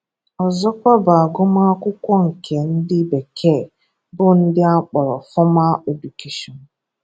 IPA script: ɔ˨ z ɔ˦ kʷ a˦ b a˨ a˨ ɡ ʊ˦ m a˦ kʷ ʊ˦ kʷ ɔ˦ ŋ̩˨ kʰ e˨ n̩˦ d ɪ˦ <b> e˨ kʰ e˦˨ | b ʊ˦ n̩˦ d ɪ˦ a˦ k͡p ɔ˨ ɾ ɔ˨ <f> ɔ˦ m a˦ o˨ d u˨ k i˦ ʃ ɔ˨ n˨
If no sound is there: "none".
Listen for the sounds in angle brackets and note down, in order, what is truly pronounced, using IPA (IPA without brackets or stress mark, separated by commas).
b, f